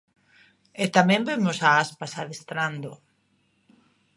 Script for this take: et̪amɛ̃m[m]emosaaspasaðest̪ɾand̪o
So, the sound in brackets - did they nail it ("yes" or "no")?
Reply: no